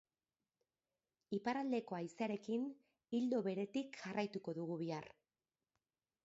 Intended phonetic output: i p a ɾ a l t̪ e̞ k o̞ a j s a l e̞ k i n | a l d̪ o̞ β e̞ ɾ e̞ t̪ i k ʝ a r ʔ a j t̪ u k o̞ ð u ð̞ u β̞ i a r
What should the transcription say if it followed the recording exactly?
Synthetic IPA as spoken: i p a ɾ a l d̪ e̞ k o̞ a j s a ɾ e̞ k i n | i l d̪ o̞ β e̞ ɾ e̞ t̪ i k ʝ a r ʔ a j t̪ u k o̞ ð u ɣ̞ u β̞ i a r